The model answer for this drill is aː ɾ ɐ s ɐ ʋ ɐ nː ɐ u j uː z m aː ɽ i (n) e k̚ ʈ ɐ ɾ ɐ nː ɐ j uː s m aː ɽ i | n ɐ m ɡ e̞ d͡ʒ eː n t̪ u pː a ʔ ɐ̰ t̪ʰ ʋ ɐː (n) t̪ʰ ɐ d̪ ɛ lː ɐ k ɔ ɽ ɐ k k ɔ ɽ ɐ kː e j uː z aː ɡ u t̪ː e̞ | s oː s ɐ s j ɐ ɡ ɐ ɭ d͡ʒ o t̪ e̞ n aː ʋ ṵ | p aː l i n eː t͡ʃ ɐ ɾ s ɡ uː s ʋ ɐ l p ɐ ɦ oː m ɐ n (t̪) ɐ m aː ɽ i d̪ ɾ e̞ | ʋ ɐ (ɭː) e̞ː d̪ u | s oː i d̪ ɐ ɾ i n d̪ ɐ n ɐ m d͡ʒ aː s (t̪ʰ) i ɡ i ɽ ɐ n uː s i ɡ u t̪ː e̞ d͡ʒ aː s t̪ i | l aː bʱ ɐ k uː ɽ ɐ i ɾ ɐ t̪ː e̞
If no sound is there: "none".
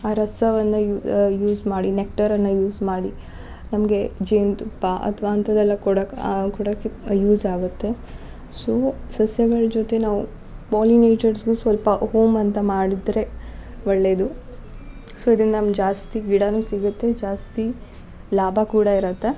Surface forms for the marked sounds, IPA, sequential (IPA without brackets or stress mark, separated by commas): n, n, t̪, ɭː, t̪